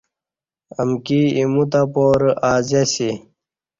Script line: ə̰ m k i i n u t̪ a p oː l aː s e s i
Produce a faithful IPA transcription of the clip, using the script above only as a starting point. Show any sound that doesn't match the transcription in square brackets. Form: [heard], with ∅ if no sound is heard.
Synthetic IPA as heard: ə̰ m k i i [m] u t̪ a p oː [ɾ] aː [z] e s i